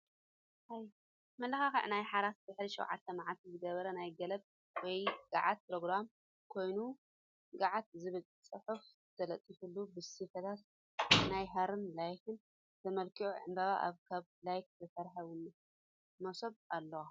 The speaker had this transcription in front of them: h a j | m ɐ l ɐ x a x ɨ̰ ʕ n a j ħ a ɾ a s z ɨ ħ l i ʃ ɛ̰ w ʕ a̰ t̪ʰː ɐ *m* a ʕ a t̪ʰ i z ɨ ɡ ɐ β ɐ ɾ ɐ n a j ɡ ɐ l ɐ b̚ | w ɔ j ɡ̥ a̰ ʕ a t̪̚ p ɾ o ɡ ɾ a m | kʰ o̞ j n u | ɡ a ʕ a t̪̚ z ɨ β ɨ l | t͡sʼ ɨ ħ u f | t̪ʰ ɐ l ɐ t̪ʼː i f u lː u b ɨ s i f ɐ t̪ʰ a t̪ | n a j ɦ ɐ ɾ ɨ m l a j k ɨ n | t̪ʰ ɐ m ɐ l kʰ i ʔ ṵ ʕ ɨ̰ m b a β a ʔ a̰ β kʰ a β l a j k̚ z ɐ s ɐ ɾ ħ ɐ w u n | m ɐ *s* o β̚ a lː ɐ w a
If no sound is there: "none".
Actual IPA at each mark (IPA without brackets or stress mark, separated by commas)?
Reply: m, s